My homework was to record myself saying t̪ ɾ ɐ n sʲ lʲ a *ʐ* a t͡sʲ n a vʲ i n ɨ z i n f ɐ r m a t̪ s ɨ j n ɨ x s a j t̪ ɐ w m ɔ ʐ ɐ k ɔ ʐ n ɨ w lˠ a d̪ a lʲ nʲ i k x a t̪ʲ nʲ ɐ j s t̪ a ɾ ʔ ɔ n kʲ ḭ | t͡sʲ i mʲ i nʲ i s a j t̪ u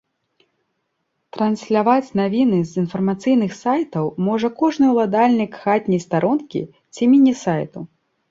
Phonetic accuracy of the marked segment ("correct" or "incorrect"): incorrect